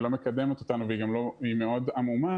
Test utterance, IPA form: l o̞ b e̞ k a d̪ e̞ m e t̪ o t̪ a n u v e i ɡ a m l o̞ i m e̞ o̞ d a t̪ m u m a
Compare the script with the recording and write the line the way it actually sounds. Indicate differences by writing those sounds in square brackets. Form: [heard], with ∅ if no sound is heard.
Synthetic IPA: l o̞ [m] e̞ k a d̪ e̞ m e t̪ o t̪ a n u v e i ɡ a m l o̞ i m e̞ o̞ d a [∅] m u m a